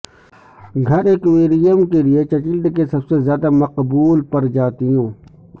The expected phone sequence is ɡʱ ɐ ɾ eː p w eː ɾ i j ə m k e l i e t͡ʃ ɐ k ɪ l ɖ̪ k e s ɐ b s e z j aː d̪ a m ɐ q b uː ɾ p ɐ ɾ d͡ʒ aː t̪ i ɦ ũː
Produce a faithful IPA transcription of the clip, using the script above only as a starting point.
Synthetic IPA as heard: ɡʱ ɐ ɾ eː k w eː ɾ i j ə m k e l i e t͡ʃ ɐ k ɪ l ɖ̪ k e s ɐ b s e z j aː d̪ a m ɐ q b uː l p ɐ ɾ d͡ʒ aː t̪ i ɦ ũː